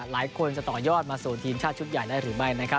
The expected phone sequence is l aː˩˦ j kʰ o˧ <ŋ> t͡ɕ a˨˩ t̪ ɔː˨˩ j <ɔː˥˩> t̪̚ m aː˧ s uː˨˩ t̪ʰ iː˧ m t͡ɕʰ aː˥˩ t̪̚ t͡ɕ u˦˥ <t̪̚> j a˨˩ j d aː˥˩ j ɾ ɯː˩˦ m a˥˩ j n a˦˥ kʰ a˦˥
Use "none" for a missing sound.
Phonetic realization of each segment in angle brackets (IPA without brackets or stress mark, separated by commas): n, ɔː˥˩, t̪̚